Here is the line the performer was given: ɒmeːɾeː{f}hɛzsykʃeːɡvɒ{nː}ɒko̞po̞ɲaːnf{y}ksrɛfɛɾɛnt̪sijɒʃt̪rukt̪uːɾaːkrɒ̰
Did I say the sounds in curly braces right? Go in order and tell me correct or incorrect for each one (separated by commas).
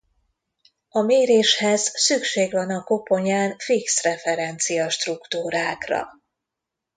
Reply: incorrect, incorrect, incorrect